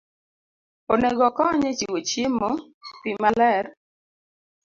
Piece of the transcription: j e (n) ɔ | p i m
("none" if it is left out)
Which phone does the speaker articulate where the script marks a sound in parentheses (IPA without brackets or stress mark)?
m